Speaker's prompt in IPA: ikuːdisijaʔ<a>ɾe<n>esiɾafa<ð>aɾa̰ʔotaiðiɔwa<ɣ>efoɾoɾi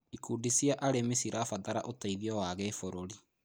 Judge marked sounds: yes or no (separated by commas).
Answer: yes, no, yes, yes